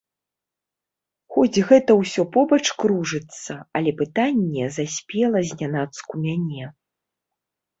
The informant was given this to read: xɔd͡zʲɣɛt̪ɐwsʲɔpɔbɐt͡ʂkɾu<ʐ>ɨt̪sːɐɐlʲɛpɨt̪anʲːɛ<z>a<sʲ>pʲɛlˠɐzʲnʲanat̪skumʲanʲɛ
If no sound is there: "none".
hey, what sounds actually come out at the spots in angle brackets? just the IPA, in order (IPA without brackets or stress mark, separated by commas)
ʐ, z, sʲ